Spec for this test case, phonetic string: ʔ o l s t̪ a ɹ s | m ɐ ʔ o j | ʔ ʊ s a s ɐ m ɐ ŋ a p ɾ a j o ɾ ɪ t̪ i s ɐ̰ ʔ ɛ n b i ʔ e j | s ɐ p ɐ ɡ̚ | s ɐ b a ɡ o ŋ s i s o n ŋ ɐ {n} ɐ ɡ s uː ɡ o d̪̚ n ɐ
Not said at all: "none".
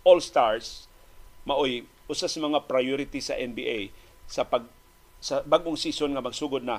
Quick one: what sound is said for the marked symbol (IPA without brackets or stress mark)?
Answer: m